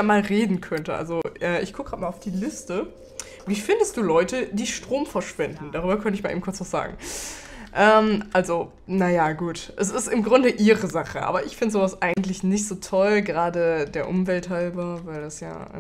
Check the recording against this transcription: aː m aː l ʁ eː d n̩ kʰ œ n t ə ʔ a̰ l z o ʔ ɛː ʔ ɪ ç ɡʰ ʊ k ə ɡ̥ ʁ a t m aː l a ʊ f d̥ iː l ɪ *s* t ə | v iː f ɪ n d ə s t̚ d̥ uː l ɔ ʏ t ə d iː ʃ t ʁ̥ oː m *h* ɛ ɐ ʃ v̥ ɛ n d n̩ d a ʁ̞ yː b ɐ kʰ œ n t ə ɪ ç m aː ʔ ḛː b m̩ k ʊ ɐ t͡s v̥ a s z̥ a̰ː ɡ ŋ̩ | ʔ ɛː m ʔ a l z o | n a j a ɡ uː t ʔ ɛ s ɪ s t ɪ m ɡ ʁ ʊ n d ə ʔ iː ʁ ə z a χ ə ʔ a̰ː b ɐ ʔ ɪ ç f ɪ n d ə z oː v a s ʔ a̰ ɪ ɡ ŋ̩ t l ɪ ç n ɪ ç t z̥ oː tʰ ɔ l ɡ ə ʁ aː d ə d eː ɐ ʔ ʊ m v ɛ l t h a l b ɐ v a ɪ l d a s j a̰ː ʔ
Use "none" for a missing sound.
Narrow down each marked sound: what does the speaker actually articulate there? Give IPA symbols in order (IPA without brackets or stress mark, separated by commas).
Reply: s, f